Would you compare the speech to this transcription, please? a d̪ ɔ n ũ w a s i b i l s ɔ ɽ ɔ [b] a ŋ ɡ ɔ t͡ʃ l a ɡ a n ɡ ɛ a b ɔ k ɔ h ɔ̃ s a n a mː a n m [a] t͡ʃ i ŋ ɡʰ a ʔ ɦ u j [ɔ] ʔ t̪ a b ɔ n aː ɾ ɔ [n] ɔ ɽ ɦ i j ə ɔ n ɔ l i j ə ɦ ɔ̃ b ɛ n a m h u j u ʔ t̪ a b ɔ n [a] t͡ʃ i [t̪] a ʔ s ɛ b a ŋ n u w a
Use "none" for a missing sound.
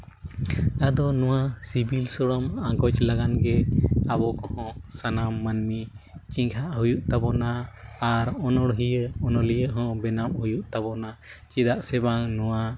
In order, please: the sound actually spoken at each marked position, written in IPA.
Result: m, i, u, n, a, d̪

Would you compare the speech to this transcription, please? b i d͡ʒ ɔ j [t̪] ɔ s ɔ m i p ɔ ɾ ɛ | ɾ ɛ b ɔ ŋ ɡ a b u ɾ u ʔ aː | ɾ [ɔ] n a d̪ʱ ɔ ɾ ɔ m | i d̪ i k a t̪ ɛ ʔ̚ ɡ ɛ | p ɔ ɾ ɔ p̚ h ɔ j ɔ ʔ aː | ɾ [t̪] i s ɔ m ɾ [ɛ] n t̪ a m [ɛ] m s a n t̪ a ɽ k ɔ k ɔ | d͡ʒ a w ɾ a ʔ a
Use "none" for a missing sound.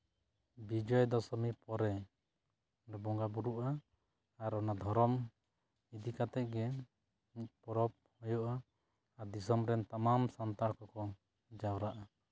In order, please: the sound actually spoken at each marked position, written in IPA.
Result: d̪, ɔ, d̪, ɛ, a

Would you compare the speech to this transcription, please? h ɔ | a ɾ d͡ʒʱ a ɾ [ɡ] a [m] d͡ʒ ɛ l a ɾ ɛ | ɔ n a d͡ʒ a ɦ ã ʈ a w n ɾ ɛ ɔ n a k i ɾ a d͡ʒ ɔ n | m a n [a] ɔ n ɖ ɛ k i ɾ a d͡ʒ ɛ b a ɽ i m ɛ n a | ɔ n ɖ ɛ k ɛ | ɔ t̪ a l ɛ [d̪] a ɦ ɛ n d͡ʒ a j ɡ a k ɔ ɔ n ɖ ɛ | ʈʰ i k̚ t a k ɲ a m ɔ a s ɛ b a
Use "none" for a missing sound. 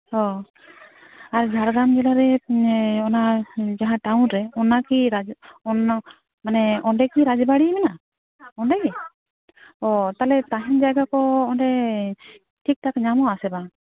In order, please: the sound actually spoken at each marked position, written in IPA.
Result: ɡ, m, ɛ, t̪

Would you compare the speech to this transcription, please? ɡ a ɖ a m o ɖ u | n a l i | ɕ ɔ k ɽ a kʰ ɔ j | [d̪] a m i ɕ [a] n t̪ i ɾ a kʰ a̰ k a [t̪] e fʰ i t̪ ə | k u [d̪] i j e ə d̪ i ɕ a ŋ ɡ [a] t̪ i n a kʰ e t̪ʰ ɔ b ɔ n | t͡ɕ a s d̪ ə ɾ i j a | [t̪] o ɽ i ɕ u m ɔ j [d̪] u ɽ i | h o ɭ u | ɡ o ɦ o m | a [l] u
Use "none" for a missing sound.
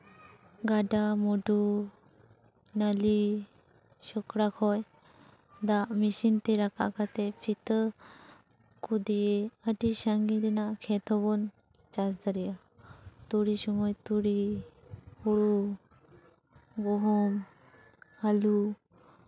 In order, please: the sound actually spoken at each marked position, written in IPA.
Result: d̪, i, t̪, d̪, i, t̪, t̪, l

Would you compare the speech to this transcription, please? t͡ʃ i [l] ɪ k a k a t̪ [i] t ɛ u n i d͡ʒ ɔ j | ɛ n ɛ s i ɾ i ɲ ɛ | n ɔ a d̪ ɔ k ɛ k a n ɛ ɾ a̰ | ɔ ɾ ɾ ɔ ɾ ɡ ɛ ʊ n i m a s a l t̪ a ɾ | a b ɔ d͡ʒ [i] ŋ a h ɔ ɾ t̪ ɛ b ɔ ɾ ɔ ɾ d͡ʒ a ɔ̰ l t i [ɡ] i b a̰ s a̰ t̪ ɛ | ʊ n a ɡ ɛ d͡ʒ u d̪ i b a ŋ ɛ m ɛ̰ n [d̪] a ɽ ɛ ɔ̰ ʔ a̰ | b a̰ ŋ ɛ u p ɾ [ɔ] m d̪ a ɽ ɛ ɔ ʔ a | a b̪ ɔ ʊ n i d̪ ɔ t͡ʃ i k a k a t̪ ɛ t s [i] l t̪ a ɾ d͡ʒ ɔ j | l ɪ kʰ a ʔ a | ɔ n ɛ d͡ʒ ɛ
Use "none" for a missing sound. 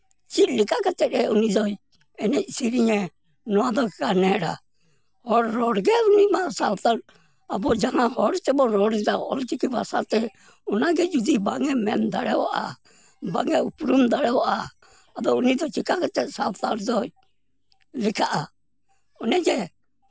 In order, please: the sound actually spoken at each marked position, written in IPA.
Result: l, ɛ, a, k, d̪, u, a

